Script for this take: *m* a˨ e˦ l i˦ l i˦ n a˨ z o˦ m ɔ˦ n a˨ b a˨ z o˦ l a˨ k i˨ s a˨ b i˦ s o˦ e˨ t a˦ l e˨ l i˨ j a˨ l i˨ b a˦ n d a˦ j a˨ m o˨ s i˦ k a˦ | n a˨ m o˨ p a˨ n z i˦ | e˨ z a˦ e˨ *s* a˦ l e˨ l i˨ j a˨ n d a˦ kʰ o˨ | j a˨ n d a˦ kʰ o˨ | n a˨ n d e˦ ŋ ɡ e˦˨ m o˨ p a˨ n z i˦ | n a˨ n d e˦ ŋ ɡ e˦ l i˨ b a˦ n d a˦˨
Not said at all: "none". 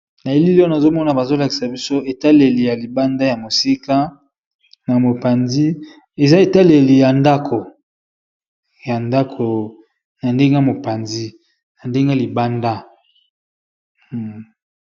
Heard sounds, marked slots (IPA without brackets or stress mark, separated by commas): n, t